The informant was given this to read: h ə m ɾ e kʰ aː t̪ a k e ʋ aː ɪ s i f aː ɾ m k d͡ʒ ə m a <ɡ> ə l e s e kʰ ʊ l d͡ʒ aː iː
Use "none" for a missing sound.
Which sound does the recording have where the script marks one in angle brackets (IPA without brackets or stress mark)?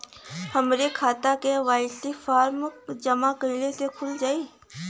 k